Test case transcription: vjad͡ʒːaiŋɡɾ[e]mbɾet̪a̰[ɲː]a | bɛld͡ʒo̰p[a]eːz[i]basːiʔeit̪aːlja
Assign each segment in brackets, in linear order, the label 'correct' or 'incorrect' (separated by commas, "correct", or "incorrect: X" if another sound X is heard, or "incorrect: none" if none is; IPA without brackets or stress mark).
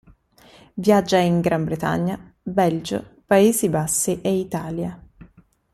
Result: incorrect: a, correct, correct, correct